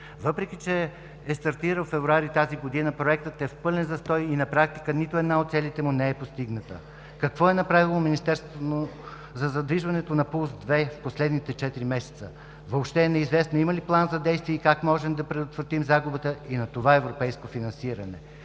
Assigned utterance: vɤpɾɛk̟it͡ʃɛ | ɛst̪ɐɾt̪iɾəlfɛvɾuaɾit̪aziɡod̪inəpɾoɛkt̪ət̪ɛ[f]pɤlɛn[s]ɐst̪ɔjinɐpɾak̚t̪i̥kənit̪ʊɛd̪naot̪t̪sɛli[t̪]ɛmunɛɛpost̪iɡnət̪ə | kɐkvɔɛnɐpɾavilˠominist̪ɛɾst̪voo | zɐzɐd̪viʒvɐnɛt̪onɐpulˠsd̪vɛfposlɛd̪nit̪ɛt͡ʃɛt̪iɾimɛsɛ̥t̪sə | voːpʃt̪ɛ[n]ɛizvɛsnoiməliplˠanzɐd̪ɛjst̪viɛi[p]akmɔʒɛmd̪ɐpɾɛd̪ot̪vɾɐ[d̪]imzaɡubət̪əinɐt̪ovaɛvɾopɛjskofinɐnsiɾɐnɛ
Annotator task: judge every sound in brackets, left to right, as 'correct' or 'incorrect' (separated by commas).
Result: correct, incorrect, correct, correct, incorrect, incorrect